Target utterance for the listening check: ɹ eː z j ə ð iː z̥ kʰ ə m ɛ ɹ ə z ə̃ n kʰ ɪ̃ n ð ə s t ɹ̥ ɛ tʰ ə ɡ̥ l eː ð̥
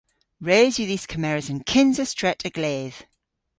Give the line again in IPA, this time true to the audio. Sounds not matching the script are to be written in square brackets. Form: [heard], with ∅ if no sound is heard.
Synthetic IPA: ɹ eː z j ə ð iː z̥ kʰ ə m ɛ ɹ ə z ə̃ n kʰ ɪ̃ n [z] ə s t ɹ̥ ɛ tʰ ə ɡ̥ l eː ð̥